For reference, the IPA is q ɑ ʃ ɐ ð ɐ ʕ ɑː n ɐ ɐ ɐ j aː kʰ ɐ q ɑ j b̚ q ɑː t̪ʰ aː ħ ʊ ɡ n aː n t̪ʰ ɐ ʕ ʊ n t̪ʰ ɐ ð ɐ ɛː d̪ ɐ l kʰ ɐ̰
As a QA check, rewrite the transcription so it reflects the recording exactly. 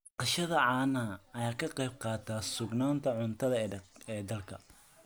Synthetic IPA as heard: q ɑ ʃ ɐ ð ɐ ʕ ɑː n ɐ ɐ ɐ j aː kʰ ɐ q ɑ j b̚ q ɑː t̪ʰ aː s ʊ ɡ n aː n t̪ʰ ɐ ʕ ʊ n t̪ʰ ɐ ð ɐ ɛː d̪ ɐ l kʰ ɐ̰